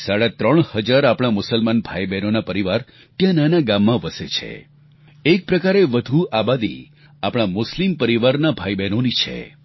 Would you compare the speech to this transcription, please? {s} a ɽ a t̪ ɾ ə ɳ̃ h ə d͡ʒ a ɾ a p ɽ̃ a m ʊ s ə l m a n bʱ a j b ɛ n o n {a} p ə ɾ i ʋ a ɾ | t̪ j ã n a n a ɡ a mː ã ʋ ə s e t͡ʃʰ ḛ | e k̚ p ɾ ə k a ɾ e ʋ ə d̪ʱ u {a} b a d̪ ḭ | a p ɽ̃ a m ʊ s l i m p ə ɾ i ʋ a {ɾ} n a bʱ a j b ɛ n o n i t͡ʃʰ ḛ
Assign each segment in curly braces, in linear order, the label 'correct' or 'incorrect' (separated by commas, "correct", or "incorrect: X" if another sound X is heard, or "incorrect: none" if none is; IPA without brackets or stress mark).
correct, correct, correct, correct